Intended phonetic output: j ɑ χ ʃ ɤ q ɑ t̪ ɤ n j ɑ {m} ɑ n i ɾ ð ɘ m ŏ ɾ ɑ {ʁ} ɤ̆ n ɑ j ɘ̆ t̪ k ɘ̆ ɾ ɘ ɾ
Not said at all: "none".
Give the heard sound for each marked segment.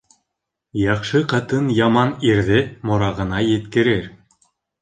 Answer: m, ʁ

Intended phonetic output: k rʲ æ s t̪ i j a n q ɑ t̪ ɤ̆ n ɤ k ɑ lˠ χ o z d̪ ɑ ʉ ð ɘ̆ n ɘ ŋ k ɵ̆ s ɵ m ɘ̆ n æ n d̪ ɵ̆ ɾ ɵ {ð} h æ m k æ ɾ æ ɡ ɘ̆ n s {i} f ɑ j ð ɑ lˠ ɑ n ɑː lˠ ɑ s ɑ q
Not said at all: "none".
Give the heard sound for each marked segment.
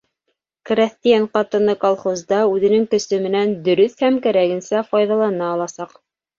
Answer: θ, æ

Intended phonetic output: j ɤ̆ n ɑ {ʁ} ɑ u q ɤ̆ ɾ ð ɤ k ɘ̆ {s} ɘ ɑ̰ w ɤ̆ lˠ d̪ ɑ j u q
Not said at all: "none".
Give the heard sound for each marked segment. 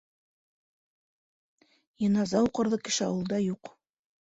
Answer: z, ʃ

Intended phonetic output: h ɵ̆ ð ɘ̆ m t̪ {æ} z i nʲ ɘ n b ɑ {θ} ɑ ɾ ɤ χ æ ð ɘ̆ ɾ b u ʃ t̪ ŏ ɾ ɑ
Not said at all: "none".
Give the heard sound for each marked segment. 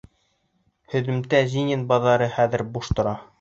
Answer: æ, ð

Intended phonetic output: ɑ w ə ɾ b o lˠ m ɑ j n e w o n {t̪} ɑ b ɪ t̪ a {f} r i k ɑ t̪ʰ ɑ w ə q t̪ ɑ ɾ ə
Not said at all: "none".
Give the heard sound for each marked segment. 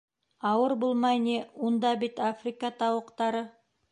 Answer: d̪, f

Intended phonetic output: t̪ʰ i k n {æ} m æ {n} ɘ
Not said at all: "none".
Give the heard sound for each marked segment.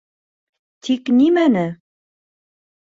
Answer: i, n

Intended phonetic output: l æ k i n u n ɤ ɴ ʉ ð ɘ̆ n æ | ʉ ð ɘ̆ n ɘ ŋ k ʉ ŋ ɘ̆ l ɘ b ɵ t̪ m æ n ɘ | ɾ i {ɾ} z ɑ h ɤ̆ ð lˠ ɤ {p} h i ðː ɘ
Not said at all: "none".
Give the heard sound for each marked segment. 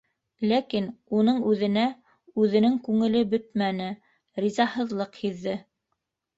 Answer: none, q

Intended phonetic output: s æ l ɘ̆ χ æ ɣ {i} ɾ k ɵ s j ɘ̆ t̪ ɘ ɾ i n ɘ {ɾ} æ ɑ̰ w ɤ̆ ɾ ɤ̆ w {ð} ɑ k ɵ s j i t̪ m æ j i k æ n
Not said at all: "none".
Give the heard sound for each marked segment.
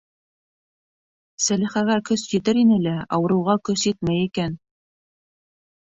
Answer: æ, l, ʁ

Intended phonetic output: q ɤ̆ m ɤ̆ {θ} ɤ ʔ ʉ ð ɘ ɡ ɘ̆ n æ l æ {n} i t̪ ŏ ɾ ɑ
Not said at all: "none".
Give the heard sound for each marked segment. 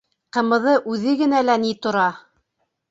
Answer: ð, n

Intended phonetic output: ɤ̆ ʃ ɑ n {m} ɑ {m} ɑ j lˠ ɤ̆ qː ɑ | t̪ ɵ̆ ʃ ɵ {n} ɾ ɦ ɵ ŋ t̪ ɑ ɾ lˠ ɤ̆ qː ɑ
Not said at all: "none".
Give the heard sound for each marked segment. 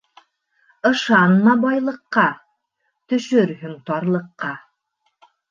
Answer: m, b, none

